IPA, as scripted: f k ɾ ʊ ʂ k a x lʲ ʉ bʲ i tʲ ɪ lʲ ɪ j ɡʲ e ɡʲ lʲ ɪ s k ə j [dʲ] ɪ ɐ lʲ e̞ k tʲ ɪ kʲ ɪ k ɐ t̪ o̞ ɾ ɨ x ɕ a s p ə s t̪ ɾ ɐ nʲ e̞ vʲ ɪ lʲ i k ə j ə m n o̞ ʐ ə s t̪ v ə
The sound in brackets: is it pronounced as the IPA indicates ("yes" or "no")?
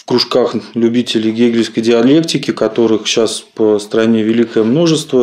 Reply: yes